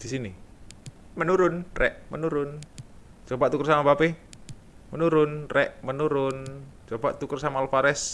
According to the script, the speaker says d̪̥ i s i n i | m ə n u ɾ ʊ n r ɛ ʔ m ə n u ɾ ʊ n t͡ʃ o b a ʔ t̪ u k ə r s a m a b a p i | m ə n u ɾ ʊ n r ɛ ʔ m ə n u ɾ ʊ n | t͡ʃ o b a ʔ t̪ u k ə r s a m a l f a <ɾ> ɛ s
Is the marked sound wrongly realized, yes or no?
no